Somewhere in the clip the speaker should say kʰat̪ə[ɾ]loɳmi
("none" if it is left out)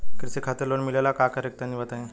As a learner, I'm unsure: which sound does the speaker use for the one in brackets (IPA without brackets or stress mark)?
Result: ɾ